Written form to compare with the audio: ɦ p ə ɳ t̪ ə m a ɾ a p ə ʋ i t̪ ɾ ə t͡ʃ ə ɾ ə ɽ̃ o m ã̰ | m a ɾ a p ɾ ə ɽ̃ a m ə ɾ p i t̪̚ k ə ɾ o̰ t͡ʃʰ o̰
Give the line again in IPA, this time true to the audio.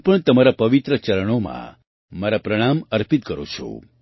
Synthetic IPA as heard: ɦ p ə ɳ t̪ ə m a ɾ a p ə ʋ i t̪ ɾ ə t͡ʃ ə ɾ ə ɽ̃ o m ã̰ | m a ɾ a p ɾ ə ɽ̃ a m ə ɾ p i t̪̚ k ə ɾ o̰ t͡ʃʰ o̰